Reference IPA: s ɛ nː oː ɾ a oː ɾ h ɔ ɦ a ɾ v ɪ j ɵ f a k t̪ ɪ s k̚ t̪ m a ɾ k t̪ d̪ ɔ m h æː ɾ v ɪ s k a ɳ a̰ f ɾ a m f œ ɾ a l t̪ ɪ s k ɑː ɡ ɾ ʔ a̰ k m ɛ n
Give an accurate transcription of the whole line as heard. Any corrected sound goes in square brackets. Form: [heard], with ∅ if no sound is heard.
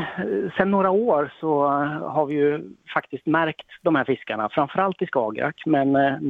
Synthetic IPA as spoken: s ɛ nː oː ɾ a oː ɾ [s] ɔ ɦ a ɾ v ɪ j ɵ f a k t̪ ɪ s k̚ t̪ m [æ] ɾ k t̪ d̪ ɔ m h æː ɾ [f] ɪ s k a ɳ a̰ f ɾ a m f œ ɾ a l t̪ ɪ s k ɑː ɡ ɾ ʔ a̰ k m ɛ n